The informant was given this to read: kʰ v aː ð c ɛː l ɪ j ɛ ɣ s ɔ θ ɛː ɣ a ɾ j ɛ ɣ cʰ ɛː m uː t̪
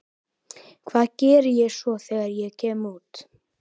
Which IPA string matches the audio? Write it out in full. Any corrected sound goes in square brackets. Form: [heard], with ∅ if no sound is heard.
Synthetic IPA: kʰ v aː ð c ɛː [ɾ] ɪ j ɛ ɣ s ɔ θ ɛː ɣ a ɾ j ɛ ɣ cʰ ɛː m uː t̪